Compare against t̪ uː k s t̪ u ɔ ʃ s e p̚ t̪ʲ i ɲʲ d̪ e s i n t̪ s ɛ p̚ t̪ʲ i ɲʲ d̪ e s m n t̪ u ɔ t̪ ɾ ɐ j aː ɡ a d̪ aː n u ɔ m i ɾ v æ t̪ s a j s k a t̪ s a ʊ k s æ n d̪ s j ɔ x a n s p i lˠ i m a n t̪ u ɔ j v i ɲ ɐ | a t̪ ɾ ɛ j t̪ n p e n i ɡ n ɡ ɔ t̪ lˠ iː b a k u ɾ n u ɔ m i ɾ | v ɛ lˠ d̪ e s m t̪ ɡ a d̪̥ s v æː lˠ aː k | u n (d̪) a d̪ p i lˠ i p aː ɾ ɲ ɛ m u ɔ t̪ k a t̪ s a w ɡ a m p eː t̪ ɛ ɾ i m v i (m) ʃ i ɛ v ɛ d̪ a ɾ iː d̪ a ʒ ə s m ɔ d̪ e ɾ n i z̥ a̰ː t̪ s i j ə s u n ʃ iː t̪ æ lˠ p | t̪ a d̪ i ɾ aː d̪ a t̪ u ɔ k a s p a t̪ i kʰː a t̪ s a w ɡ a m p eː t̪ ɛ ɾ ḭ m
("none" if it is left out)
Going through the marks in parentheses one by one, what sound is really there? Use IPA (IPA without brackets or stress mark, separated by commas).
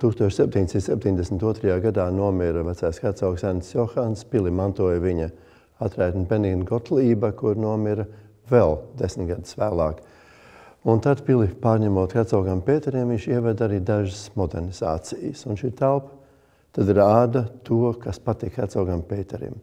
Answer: t̪, ɲ